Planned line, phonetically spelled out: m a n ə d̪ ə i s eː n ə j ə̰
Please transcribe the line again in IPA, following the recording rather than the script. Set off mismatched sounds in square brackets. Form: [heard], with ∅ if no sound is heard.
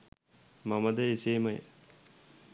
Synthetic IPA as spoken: m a [m] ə d̪ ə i s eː [m] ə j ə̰